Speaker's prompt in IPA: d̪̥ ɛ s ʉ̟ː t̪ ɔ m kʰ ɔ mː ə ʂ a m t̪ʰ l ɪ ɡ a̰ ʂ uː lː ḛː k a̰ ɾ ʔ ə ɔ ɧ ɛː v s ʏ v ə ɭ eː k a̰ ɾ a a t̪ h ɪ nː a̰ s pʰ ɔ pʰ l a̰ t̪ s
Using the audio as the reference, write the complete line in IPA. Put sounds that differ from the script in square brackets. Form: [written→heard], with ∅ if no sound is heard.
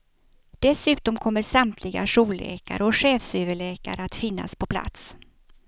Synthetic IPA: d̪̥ ɛ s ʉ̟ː t̪ ɔ m kʰ ɔ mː ə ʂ a m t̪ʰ l ɪ ɡ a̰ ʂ uː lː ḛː k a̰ ɾ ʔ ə ɔ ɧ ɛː [v→f] s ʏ v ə ɭ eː k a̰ ɾ [a→ə] a t̪ [h→f] ɪ nː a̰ s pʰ ɔ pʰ l a̰ t̪ s